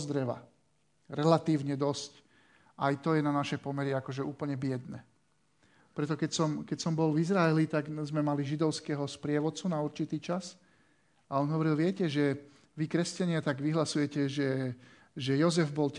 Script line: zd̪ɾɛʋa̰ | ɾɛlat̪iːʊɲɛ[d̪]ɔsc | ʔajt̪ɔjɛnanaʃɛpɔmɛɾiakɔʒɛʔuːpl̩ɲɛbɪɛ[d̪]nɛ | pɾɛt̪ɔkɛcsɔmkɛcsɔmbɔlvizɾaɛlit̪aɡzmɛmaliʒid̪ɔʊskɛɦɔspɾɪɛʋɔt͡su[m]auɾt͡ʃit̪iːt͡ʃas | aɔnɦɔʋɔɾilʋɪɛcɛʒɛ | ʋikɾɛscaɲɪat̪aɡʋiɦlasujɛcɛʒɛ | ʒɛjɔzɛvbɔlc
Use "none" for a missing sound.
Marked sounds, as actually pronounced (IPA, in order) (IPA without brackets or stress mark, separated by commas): d̪, d̪, n